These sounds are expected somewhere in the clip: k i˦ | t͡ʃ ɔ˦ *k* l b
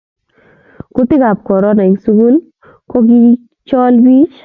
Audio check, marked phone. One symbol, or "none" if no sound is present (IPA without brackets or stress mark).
none